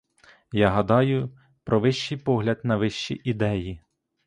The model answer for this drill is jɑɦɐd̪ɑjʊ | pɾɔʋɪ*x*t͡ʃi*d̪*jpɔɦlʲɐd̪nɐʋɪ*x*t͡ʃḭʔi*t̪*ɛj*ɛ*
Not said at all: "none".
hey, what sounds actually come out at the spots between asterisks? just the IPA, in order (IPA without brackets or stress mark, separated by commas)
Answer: ʃ, none, ʃ, d̪, i